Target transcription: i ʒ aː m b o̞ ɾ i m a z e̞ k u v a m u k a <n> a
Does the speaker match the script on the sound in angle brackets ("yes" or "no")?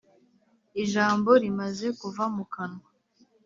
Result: yes